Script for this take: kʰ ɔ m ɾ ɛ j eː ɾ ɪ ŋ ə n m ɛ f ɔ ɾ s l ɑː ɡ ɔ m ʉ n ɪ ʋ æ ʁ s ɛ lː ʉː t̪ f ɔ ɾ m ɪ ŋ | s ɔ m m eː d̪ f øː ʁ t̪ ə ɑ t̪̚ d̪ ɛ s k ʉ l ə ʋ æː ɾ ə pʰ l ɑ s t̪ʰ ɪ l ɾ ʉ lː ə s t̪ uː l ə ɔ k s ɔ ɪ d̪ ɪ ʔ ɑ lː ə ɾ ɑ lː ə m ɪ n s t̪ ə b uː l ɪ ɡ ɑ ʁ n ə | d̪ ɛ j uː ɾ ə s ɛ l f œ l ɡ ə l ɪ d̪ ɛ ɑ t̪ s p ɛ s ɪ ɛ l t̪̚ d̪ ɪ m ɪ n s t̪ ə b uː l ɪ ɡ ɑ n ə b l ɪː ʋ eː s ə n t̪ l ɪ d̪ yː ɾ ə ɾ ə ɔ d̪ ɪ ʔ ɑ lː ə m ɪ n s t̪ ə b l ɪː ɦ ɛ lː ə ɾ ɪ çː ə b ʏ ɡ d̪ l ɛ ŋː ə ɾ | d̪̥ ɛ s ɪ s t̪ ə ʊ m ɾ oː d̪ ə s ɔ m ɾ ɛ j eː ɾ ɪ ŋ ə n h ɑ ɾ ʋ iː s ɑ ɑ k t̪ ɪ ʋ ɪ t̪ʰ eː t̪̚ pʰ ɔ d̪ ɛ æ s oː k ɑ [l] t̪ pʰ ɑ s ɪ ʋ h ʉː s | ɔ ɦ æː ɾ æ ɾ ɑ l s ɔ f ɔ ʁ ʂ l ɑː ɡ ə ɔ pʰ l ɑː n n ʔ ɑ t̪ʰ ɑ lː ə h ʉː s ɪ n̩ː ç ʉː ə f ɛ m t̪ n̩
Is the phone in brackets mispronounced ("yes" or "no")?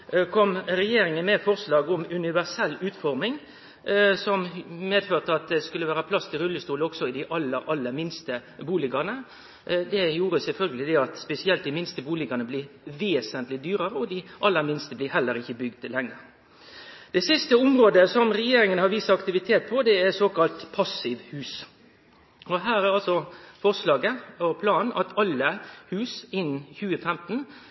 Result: no